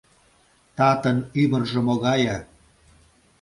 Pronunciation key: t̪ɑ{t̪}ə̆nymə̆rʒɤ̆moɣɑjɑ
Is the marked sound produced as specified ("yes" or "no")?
yes